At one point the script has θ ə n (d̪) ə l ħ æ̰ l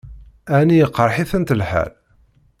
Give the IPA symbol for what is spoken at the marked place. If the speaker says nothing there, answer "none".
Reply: t̪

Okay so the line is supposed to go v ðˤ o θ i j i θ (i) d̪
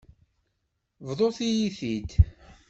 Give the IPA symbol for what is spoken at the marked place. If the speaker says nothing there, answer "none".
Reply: i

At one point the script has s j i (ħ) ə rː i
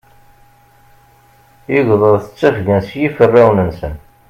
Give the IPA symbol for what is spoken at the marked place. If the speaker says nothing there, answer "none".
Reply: f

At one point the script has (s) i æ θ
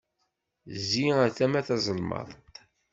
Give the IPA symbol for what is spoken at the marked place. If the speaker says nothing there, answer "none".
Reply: z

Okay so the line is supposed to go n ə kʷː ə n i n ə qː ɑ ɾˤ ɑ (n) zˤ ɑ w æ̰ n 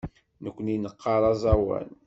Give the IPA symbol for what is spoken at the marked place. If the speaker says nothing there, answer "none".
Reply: none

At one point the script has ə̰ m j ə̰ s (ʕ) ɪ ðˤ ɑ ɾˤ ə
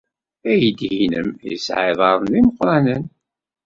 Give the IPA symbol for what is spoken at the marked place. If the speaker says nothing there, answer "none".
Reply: ʕ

